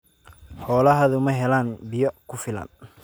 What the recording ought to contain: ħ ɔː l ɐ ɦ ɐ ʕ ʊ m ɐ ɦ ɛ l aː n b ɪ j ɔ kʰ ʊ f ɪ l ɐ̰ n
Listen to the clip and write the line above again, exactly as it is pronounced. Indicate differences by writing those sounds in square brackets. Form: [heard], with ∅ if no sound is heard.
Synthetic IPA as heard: ħ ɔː l ɐ ɦ ɐ [ð] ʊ m ɐ ɦ ɛ l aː n b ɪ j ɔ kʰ ʊ f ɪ l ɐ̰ n

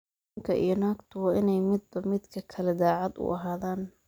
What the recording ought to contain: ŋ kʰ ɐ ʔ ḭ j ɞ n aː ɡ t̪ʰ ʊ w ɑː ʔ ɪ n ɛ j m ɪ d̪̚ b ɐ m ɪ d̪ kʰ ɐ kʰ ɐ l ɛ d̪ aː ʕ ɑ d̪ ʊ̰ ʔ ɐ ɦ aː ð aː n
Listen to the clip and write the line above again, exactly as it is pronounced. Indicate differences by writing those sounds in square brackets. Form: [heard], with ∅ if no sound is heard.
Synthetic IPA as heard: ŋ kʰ ɐ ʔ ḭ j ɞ n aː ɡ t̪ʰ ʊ w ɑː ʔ ɪ n ɛ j m ɪ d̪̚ b ɐ m ɪ d̪ kʰ ɐ kʰ ɐ l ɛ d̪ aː ʕ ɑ d̪ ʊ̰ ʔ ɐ ɦ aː ð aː n

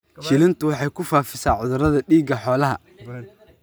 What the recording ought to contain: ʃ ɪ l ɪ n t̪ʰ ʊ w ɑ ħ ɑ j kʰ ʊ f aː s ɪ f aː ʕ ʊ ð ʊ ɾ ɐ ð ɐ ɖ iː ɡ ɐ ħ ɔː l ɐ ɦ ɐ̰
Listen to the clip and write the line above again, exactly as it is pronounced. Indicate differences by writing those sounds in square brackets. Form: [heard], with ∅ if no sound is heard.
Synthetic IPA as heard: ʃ ɪ l ɪ n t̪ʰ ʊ w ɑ ħ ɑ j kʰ ʊ f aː [f] ɪ [s] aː ʕ ʊ ð ʊ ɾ ɐ ð ɐ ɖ iː ɡ ɐ ħ ɔː l ɐ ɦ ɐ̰

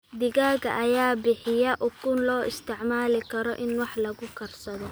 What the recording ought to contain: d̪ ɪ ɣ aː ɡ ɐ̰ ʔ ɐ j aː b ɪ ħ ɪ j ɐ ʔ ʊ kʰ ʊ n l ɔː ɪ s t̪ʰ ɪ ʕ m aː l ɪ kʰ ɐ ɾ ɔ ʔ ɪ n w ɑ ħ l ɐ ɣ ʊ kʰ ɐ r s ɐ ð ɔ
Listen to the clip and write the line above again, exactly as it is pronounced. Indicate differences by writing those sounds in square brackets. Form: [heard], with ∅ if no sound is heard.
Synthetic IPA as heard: d̪ ɪ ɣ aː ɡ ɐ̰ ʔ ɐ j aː b ɪ ħ ɪ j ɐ ʔ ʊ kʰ ʊ n l ɔː ɪ s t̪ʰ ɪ ʕ m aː l ɪ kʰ ɐ ɾ ɔ ʔ ɪ n w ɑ ħ l ɐ ɣ ʊ kʰ ɐ r s ɐ ð ɔ

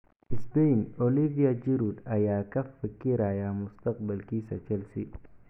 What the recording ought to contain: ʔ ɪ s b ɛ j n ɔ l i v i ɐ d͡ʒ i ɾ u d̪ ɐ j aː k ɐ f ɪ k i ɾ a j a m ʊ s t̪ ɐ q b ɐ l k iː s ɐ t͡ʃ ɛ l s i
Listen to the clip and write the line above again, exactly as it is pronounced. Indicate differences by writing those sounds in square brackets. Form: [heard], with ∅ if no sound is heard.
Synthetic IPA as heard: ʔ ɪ s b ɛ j n ɔ l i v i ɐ d͡ʒ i ɾ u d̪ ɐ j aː k ɐ f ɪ k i ɾ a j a m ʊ s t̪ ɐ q b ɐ l k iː s ɐ t͡ʃ ɛ l s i

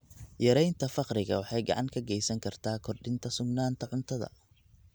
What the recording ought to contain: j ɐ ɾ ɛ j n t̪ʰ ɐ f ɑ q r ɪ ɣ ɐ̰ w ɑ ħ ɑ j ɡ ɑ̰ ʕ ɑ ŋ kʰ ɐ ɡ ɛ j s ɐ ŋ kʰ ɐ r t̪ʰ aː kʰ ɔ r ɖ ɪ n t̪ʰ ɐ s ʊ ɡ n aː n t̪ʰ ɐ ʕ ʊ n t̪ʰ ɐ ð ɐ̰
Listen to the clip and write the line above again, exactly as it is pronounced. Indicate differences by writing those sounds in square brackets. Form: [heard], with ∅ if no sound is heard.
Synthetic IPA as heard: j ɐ ɾ ɛ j n t̪ʰ ɐ f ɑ q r ɪ ɣ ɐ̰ w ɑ ħ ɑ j ɡ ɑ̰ ʕ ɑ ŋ kʰ ɐ ɡ ɛ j s ɐ ŋ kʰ ɐ r t̪ʰ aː kʰ ɔ r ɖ ɪ n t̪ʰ ɐ s ʊ ɡ n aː n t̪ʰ ɐ ʕ ʊ n t̪ʰ ɐ ð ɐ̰

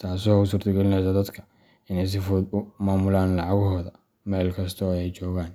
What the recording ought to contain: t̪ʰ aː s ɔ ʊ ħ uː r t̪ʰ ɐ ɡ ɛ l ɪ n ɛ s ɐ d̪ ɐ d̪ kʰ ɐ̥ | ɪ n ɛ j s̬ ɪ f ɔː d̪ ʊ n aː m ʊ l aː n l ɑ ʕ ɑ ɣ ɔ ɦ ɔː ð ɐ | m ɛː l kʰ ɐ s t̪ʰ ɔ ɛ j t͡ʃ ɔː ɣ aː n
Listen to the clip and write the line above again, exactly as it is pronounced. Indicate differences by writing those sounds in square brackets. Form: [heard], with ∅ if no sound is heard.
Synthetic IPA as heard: t̪ʰ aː s ɔ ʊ [s] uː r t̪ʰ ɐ ɡ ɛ l ɪ n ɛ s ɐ d̪ ɐ d̪ kʰ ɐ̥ | ɪ n ɛ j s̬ ɪ f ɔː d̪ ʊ [m] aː m ʊ l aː n l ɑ ʕ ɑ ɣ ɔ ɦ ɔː ð ɐ | m ɛː l kʰ ɐ s t̪ʰ ɔ ɛ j t͡ʃ ɔː ɣ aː n

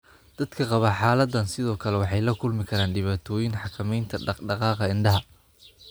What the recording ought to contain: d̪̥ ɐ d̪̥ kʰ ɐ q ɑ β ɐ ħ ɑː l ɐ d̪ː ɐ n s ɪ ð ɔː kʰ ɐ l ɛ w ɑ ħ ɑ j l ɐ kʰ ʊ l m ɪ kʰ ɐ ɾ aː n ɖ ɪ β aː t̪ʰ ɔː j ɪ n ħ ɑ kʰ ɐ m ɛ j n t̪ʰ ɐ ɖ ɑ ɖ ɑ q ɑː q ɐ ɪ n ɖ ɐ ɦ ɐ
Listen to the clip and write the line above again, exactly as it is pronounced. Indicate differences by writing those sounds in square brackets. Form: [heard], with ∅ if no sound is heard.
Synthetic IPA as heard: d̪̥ ɐ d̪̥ kʰ ɐ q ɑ β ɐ ħ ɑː l ɐ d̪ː ɐ n s ɪ ð ɔː kʰ ɐ l ɛ w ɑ ħ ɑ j l ɐ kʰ ʊ l m ɪ kʰ ɐ ɾ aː n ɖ ɪ β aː t̪ʰ ɔː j ɪ n ħ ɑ kʰ ɐ m ɛ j n t̪ʰ ɐ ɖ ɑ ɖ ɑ q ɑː q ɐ ɪ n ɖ ɐ ɦ ɐ

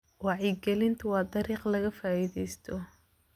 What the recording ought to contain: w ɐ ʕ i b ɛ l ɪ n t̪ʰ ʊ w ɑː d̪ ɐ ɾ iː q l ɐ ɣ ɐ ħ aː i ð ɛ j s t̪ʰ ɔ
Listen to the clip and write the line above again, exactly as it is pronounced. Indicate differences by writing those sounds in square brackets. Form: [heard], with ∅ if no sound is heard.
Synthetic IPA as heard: w [ɑ] ʕ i [ɡ] ɛ l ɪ n t̪ʰ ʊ w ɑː d̪ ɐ ɾ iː q l ɐ ɣ ɐ [f] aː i ð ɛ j s t̪ʰ ɔ

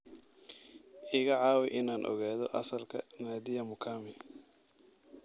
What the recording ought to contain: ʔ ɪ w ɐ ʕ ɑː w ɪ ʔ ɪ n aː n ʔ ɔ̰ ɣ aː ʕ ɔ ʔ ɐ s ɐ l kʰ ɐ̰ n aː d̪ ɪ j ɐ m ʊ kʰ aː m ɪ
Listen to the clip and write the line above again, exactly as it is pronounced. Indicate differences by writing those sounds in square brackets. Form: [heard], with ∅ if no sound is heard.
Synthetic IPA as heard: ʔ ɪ [ɣ] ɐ ʕ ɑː w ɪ ʔ ɪ n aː n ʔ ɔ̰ ɣ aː [ð] ɔ ʔ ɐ s ɐ l kʰ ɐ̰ n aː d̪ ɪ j ɐ m ʊ kʰ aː m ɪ

